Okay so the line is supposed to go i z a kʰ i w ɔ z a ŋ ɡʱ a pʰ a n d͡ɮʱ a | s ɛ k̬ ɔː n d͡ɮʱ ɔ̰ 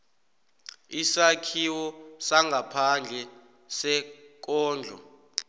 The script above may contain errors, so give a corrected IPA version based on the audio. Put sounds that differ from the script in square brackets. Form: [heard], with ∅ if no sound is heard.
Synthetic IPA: i [s] a kʰ i w ɔ [s] a ŋ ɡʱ a pʰ a n d͡ɮʱ [ɛ] | s ɛ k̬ ɔː n d͡ɮʱ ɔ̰

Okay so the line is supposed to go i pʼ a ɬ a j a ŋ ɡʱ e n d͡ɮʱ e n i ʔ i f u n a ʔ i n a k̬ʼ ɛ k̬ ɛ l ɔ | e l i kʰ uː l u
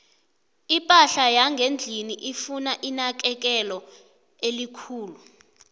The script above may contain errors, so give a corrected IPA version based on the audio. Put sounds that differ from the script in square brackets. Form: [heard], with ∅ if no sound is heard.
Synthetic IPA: i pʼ a ɬ a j a ŋ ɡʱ e n d͡ɮʱ [i] n i ʔ i f u n a ʔ i n a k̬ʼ ɛ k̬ ɛ l ɔ | e l i kʰ uː l u

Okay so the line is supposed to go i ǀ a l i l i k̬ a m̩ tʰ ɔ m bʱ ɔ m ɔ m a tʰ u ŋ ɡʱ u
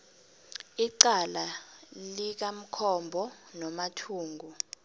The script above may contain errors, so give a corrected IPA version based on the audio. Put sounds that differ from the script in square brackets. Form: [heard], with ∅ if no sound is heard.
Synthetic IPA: i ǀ a l [a] l i k̬ a m̩ [kʰ] ɔ m bʱ ɔ [n] ɔ m a tʰ [uː] ŋ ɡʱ u

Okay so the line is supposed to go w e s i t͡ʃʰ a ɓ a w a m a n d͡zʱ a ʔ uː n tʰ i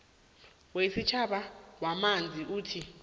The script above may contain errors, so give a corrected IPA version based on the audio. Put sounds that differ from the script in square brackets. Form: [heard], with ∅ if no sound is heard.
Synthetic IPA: w e s i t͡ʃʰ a ɓ a w a m a n d͡zʱ [i] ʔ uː [∅] tʰ i

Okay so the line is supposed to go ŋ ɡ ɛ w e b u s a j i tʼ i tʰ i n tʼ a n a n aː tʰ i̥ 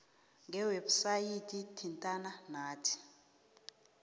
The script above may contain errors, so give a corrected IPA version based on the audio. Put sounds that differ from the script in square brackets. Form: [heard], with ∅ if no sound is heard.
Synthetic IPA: ŋ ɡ ɛ w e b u s a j i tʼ i tʰ i n tʼ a n a n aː tʰ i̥

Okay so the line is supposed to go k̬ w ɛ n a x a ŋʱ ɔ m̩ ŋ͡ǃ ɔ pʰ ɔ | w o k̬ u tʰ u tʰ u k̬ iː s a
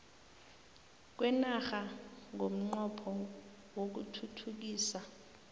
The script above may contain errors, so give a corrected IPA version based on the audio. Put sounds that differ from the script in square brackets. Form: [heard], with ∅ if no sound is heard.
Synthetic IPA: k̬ w ɛ n a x a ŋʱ [o] m̩ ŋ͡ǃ ɔ pʰ ɔ | w o k̬ u tʰ u tʰ u k̬ iː s a

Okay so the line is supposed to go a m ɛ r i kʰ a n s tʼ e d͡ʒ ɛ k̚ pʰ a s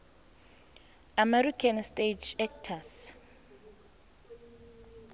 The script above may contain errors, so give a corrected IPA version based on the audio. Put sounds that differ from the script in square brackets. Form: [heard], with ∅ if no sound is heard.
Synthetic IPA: a m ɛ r i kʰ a n s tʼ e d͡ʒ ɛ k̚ [tʰ] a s

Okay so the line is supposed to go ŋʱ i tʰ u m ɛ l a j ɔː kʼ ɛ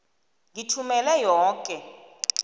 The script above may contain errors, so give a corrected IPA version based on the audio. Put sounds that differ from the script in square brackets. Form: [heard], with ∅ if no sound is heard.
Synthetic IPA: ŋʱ i tʰ u m ɛ l [ɛ] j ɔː kʼ ɛ

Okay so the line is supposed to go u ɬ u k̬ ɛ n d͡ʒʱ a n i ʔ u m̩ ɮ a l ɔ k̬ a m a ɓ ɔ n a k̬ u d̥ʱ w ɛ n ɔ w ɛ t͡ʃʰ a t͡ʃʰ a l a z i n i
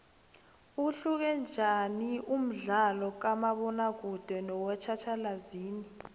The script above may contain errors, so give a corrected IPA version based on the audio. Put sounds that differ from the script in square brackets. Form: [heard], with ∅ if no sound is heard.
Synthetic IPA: u ɬ u k̬ ɛ n d͡ʒʱ a n i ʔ u m̩ ɮ a l ɔ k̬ a m a ɓ ɔ n a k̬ u d̥ʱ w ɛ n ɔ w ɛ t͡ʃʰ a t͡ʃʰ a l a z [iː] n i

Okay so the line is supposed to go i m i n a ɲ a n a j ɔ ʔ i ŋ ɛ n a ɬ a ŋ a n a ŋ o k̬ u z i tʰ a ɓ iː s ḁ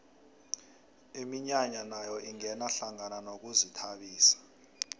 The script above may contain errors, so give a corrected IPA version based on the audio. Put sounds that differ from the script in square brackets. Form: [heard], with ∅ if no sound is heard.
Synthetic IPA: i m i [ɲ] a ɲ a n a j ɔ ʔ i ŋ ɛ n a ɬ a ŋ a n a [n] o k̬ u z i tʰ a ɓ iː s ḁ

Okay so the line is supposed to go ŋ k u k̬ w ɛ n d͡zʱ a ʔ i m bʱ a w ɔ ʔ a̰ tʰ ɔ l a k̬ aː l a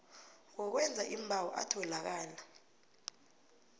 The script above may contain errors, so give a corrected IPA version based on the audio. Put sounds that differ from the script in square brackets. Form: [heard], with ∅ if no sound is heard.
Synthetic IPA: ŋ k [ɔ] k̬ w ɛ n d͡zʱ a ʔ i m bʱ a w ɔ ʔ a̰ tʰ ɔ l a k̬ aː l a

